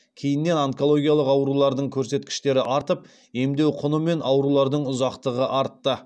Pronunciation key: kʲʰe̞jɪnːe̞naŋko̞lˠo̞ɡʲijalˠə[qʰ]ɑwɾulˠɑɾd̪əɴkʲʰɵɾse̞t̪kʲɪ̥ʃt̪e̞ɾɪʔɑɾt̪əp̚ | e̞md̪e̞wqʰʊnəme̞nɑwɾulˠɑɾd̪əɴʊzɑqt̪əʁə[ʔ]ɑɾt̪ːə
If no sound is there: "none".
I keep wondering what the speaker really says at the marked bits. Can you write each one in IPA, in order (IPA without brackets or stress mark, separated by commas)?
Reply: q, ʔ